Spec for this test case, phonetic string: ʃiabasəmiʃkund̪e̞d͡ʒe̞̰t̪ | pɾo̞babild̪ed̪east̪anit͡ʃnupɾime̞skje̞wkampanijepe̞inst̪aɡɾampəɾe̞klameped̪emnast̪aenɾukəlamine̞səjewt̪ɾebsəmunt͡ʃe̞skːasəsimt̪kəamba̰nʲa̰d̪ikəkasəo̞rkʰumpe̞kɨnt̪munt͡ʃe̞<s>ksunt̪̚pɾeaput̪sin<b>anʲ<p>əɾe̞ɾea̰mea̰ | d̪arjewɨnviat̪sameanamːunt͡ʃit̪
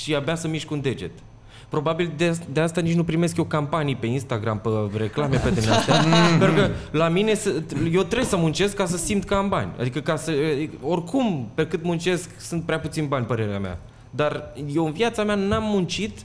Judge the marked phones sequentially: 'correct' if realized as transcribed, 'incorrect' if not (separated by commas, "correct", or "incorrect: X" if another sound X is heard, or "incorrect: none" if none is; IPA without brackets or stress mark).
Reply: correct, correct, correct